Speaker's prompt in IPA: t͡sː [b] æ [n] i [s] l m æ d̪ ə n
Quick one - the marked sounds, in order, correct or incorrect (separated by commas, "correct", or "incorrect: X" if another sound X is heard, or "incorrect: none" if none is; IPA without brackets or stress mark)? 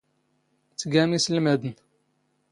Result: incorrect: ɡ, incorrect: m, correct